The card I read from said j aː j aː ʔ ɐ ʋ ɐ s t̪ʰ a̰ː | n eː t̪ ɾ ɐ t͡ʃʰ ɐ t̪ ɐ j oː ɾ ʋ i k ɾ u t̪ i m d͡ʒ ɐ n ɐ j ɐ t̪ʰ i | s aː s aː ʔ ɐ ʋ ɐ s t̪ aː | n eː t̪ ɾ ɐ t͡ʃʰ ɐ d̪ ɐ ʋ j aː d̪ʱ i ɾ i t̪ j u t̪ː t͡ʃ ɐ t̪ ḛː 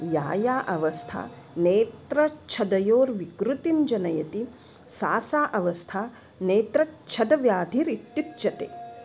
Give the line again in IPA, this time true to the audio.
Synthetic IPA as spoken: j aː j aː ʔ ɐ ʋ ɐ s t̪ʰ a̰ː | n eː t̪ ɾ ɐ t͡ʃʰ ɐ d̪ ɐ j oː ɾ ʋ i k ɾ u t̪ i m d͡ʒ ɐ n ɐ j ɐ t̪ i | s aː s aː ʔ ɐ ʋ ɐ s t̪ʰ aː | n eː t̪ ɾ ɐ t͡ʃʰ ɐ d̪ ɐ ʋ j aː d̪ʱ i ɾ i t̪ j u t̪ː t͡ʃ ɐ t̪ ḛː